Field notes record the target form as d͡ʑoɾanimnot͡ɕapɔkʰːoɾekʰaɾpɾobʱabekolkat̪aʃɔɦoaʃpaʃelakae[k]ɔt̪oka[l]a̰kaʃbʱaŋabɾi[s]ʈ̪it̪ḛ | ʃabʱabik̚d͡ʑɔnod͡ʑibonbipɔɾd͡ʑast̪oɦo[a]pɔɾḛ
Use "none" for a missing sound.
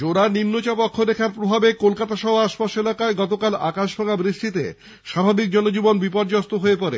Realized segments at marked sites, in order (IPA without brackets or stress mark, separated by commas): ɡ, l, ʃ, e